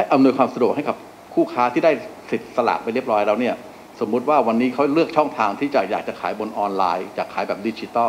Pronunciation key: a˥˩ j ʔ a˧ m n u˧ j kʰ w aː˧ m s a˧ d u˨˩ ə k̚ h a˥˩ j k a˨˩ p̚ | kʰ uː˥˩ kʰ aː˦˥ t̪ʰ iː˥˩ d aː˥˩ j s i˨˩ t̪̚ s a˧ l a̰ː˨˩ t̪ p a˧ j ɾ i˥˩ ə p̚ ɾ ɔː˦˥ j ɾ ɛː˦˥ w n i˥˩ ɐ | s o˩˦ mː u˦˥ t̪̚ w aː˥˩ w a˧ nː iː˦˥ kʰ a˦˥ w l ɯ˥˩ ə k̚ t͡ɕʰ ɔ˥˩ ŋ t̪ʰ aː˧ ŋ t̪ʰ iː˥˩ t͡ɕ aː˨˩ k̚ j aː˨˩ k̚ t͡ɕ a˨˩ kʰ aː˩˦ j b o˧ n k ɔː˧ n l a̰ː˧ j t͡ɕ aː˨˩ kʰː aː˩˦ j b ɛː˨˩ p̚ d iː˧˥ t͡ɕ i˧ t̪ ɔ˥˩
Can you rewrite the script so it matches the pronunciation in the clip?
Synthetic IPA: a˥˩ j ʔ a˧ m n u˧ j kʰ w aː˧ m s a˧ d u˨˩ ə k̚ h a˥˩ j k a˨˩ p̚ | kʰ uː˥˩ kʰ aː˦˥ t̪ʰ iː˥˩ d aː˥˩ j s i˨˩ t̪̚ s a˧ l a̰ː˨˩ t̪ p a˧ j ɾ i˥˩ ə p̚ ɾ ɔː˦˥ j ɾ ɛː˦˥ w n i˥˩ ɐ | s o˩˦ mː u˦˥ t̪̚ w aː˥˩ w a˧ nː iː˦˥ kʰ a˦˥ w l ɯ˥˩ ə k̚ t͡ɕʰ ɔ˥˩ ŋ t̪ʰ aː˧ ŋ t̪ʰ iː˥˩ t͡ɕ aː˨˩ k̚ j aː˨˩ k̚ t͡ɕ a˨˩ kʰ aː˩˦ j b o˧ n ʔ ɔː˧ n l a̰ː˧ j t͡ɕ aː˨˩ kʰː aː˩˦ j b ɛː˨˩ p̚ d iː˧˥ t͡ɕ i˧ t̪ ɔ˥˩